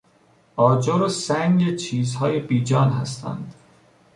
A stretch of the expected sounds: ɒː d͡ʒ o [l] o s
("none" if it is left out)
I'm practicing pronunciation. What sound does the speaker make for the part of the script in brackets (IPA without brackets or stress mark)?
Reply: ɾ